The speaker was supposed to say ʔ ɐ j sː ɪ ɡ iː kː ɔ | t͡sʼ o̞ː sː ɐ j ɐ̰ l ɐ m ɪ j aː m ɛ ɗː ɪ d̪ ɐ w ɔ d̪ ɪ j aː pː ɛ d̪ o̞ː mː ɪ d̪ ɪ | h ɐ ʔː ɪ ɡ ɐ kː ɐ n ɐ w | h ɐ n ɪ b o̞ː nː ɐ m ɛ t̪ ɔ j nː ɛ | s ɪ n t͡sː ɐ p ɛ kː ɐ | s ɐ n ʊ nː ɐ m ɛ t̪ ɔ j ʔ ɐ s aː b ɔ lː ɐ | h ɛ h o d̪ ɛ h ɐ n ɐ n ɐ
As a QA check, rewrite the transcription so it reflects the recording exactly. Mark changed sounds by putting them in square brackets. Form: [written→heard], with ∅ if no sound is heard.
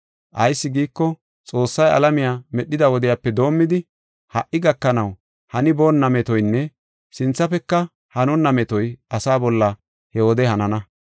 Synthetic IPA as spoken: ʔ ɐ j sː ɪ ɡ iː kː ɔ | t͡sʼ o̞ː sː ɐ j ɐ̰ l ɐ m ɪ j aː m ɛ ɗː ɪ d̪ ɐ w ɔ d̪ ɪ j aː pː ɛ d̪ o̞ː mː ɪ d̪ ɪ | h ɐ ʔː ɪ ɡ ɐ kː ɐ n ɐ w | h ɐ n ɪ b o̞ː nː ɐ m ɛ t̪ ɔ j nː ɛ | s ɪ n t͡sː ɐ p ɛ kː ɐ | [s→h] ɐ n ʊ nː ɐ m ɛ t̪ ɔ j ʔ ɐ s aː b ɔ lː ɐ | h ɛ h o d̪ ɛ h ɐ n ɐ n ɐ